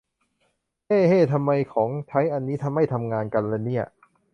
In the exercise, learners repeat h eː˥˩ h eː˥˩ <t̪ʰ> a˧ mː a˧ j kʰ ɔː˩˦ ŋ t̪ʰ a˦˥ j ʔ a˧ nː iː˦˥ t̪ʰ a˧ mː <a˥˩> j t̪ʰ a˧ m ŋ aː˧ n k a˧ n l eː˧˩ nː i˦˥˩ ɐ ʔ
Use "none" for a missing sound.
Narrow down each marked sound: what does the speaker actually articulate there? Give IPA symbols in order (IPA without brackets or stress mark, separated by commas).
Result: t̪ʰ, a˥˩